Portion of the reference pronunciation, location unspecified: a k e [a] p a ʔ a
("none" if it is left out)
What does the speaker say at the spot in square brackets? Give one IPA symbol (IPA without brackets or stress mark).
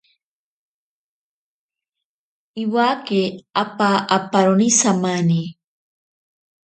a